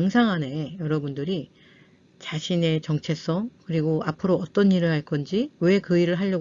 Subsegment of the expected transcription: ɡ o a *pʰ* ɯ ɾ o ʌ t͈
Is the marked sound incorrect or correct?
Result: correct